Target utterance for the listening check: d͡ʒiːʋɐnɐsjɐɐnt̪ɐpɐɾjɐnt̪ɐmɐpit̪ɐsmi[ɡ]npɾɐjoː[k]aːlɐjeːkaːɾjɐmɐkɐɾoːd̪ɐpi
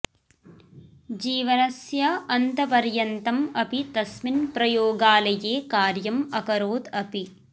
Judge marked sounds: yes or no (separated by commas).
no, no